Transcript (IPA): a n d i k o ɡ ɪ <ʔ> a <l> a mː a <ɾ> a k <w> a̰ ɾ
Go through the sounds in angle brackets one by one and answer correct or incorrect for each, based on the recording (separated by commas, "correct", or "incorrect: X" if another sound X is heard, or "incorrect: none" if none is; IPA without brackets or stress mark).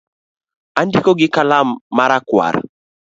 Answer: incorrect: k, correct, correct, correct